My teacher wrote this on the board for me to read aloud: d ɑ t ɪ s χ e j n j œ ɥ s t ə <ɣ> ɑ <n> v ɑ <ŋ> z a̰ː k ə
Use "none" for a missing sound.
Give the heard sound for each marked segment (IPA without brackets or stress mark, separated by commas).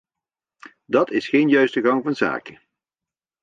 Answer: ɣ, ŋ, n